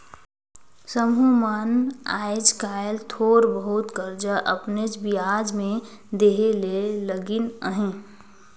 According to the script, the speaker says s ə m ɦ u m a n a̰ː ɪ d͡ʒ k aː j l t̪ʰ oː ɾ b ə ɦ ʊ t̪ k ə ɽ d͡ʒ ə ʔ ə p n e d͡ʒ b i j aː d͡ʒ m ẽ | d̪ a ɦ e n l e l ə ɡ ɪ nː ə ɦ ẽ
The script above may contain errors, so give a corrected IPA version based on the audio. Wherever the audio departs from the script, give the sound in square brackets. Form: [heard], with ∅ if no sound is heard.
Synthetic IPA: s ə m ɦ u m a n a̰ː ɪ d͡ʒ k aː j l t̪ʰ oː ɾ b ə ɦ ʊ t̪ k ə [ɾ] d͡ʒ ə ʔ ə p n e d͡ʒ b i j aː d͡ʒ m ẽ | d̪ [e] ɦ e [∅] l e l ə ɡ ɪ [n] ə ɦ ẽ